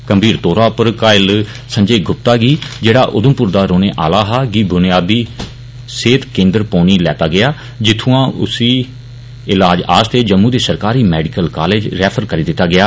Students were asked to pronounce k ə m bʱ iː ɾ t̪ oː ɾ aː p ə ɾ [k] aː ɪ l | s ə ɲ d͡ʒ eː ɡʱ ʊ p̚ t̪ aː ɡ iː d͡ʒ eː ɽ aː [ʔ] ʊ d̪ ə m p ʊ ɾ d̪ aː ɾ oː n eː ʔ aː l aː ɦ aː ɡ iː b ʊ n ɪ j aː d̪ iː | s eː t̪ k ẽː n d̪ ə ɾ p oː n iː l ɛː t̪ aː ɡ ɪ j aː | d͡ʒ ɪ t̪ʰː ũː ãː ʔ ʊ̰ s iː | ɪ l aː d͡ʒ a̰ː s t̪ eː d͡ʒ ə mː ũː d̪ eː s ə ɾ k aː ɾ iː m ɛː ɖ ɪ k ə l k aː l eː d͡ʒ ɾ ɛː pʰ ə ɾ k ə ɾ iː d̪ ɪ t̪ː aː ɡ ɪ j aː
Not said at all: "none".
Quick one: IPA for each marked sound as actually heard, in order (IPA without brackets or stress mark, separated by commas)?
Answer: k, ʔ